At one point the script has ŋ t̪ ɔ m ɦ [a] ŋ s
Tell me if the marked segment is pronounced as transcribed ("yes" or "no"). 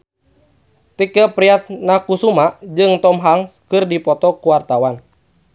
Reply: yes